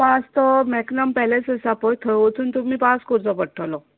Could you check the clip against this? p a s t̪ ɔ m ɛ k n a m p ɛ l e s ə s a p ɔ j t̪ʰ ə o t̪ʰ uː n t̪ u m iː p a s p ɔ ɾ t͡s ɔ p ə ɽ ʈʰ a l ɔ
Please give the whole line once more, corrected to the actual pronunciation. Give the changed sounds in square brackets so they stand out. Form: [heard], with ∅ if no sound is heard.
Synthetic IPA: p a s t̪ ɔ m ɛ k n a m p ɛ l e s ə s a p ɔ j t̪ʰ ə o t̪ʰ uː n t̪ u m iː p a s [k] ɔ ɾ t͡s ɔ p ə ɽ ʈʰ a l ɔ